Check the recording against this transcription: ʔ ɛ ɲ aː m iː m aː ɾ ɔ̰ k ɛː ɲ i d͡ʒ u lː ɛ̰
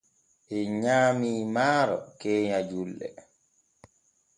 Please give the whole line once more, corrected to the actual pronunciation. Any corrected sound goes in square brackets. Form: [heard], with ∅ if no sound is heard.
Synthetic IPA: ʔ ɛ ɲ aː m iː m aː ɾ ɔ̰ k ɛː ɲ [a] d͡ʒ u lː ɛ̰